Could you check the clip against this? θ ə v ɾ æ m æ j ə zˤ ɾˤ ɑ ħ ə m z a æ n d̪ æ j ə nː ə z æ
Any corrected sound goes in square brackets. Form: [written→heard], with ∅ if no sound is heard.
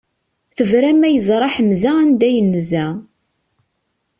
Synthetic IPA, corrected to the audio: θ ə v ɾ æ m æ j ə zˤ ɾˤ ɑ ħ ə m z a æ n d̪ æ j ə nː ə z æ